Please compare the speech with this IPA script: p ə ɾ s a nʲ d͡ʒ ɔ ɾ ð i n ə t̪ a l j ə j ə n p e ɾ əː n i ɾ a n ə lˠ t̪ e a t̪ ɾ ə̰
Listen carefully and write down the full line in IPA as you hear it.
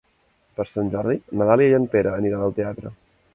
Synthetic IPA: p ə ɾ s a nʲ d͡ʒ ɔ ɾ ð i n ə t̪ a l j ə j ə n p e ɾ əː n i ɾ a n ə lˠ t̪ e a t̪ ɾ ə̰